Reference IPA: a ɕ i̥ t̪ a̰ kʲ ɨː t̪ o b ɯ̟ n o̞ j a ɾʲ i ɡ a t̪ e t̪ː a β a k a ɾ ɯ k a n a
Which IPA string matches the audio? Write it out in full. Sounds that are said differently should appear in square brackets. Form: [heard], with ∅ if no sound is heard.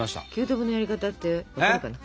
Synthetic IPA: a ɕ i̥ t̪ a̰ kʲ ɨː t̪ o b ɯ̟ n o̞ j a ɾʲ i [k] a t̪ [a] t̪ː [e] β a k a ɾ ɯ k a n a